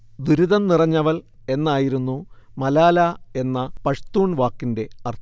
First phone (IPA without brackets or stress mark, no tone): d̪